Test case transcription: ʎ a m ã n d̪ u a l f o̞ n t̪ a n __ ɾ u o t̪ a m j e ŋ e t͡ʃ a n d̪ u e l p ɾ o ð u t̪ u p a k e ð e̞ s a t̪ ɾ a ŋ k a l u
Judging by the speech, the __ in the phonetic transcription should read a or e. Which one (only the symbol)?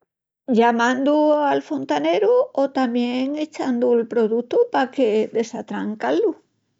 e